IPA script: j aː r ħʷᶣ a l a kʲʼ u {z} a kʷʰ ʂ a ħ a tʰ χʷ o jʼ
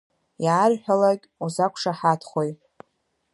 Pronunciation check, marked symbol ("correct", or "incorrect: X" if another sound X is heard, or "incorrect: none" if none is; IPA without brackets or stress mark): correct